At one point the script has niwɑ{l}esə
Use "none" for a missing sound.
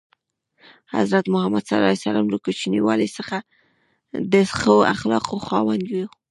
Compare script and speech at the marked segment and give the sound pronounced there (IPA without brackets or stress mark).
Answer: l